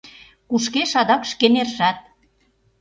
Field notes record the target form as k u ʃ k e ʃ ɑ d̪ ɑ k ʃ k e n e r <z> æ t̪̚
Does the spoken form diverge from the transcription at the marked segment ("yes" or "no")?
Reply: yes